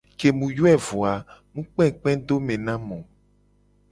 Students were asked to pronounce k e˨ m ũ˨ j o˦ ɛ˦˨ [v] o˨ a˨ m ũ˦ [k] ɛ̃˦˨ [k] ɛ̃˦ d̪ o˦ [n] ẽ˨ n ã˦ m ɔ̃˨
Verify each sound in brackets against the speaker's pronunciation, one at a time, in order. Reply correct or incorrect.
correct, incorrect: k͡p, incorrect: k͡p, incorrect: m

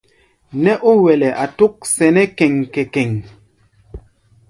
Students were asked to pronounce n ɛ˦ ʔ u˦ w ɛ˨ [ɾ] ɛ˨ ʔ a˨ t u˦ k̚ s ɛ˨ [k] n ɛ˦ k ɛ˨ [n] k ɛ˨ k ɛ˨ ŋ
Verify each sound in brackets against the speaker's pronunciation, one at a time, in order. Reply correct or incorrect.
incorrect: l, incorrect: none, incorrect: ŋ

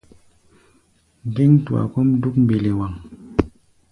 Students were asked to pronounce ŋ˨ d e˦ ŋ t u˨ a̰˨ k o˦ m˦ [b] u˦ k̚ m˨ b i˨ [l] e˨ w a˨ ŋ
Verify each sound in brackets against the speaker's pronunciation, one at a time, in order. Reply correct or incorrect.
incorrect: d, correct

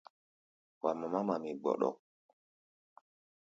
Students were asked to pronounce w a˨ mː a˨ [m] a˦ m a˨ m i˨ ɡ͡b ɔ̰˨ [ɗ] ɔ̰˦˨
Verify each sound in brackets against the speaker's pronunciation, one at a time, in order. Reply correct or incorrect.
correct, correct

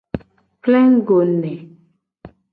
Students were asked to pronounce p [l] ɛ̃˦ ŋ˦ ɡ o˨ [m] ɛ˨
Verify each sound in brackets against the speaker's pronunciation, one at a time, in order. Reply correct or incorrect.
correct, incorrect: n

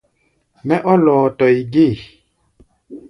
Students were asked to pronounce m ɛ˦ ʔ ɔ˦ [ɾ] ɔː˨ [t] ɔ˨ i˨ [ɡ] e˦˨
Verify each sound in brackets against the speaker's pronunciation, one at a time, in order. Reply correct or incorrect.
incorrect: l, correct, correct

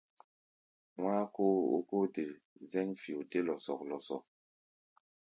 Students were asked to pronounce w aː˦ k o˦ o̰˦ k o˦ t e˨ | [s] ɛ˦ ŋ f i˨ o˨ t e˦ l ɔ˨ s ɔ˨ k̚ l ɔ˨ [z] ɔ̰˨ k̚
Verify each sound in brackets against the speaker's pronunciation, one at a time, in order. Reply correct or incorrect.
incorrect: z, incorrect: s

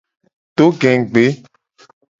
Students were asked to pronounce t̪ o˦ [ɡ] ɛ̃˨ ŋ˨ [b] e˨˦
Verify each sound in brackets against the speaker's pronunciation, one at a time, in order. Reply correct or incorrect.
correct, incorrect: ɡ͡b

